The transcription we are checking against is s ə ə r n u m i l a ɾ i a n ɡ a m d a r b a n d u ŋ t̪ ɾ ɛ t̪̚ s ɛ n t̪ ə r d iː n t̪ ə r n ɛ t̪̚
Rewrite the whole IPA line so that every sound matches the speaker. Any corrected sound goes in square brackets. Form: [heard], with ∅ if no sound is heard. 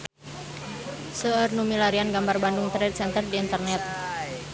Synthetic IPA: s ə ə r n u m i l a ɾ i a n ɡ a m [b] a r b a n d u ŋ t̪ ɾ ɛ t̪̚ s ɛ n t̪ ə r d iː n t̪ ə r n ɛ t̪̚